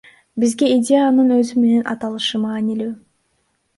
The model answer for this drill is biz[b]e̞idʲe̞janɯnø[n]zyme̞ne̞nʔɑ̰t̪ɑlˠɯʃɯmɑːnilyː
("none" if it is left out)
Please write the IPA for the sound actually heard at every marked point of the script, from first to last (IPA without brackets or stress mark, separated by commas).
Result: ɡ, none